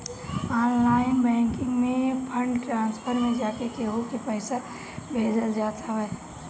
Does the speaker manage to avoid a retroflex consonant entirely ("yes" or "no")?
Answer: no